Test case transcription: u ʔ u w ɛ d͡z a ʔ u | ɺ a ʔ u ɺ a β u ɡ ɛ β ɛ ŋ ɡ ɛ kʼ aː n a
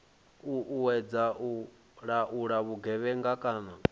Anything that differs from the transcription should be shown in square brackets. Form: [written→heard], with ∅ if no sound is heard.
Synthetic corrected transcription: u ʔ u w ɛ d͡z a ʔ u | ɺ a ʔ u ɺ a β u ɡ ɛ β ɛ ŋ ɡ [ɛ→a] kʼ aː n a